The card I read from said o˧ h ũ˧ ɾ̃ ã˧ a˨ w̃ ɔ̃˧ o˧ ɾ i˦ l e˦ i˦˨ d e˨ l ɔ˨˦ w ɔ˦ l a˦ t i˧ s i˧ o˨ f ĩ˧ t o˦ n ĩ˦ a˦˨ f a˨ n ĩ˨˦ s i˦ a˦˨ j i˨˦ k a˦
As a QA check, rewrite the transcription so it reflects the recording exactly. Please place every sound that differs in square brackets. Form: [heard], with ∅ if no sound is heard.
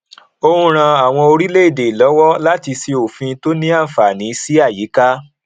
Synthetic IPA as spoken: o˧ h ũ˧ ɾ̃ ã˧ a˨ w̃ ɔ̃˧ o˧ ɾ i˦ l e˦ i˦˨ d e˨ l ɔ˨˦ w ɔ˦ l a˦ t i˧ s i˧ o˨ f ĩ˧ t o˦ n ĩ˦ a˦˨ f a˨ n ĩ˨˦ s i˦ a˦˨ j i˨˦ k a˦

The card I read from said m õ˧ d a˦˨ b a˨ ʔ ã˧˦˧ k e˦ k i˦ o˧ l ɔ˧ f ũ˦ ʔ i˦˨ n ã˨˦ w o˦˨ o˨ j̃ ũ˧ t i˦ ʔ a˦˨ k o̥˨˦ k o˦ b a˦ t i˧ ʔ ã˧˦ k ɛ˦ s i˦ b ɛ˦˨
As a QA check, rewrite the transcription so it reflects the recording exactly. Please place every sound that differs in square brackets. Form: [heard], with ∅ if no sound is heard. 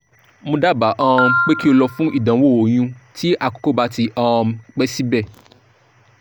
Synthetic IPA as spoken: m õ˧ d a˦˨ b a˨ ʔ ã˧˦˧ [k͡p] e˦ k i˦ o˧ l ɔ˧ f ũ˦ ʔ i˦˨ [d] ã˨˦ w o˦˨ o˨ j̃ ũ˧ t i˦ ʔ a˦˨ k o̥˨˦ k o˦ b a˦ t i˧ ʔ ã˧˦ [k͡p] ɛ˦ s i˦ b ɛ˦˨

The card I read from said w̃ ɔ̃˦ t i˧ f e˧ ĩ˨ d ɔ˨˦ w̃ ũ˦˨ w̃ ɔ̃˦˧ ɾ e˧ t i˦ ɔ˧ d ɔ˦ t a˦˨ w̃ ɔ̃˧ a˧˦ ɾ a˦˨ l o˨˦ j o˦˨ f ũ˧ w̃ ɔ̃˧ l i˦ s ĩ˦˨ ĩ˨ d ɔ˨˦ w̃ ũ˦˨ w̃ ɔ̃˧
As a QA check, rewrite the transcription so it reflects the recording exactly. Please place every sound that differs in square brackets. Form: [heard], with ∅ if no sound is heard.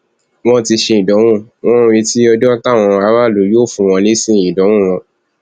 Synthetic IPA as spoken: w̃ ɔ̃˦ t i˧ [ʃ] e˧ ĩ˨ d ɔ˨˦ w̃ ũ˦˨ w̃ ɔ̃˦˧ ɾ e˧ t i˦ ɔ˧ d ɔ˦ t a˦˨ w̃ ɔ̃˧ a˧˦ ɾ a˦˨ l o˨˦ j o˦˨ f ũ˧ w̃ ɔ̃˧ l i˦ s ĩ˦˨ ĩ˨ d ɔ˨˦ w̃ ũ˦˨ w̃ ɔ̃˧

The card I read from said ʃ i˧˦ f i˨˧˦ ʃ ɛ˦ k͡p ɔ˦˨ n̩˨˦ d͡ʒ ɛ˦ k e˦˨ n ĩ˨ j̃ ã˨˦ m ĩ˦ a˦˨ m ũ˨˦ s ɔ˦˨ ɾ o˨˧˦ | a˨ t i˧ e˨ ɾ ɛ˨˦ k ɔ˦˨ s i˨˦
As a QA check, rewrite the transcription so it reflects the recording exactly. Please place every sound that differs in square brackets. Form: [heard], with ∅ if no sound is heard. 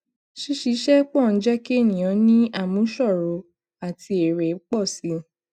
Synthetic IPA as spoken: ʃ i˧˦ [ʃ] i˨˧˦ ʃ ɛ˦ k͡p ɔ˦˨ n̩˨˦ d͡ʒ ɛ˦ k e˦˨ n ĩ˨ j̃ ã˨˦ [n] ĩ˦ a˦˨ m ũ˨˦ [ʃ] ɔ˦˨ ɾ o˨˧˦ | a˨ t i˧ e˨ ɾ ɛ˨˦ [k͡p] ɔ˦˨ s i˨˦

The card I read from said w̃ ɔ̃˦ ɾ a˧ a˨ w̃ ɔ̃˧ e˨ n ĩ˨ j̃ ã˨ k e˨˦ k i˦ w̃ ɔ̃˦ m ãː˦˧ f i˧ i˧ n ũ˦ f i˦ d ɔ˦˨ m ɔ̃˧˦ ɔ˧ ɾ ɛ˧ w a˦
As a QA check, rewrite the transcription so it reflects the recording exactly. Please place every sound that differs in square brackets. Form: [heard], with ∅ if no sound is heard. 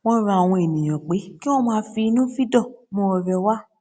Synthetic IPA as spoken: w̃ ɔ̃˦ ɾ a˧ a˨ w̃ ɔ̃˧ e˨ n ĩ˨ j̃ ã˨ [k͡p] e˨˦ k i˦ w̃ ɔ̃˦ m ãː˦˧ f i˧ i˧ n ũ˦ f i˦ d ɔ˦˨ m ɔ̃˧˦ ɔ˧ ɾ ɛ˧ w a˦

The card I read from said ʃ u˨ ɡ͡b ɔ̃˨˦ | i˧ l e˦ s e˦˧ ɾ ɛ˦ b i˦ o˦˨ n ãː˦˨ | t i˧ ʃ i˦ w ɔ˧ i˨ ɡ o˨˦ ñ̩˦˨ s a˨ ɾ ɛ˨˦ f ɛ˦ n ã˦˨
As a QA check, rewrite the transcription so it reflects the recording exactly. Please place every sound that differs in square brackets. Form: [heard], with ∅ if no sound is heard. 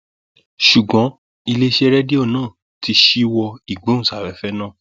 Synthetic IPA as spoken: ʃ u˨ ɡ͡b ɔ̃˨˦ | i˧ l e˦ [ʃ] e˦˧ ɾ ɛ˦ [d] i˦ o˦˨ n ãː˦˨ | t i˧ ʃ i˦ w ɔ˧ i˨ [ɡ͡b] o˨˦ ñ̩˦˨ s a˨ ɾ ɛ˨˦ f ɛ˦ n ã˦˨

